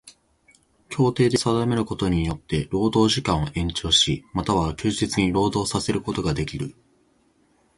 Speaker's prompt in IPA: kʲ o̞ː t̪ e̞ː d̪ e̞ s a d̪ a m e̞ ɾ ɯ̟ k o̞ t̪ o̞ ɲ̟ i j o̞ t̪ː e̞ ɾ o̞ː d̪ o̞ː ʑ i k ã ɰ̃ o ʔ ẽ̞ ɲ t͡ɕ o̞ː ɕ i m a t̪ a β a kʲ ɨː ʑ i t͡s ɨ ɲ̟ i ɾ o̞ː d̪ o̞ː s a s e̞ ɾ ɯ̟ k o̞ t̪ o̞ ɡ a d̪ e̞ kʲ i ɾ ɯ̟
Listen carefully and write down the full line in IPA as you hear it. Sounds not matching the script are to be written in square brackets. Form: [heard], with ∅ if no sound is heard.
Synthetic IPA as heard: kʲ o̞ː t̪ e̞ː d̪ e̞ s a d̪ a m e̞ ɾ ɯ̟ k o̞ t̪ o̞ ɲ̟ i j o̞ t̪ː e̞ ɾ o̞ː d̪ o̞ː ʑ i k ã ɰ̃ o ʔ ẽ̞ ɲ t͡ɕ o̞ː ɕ i m a t̪ a β a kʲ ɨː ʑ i t͡s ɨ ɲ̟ i ɾ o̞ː d̪ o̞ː s a s e̞ ɾ ɯ̟ k o̞ t̪ o̞ ɡ a d̪ e̞ kʲ i ɾ ɯ̟